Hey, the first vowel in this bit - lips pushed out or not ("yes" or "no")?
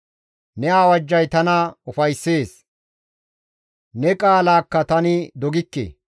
no